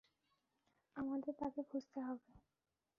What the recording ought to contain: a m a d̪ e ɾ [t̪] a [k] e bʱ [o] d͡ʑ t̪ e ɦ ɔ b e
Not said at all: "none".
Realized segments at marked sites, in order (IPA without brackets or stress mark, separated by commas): t̪, k, u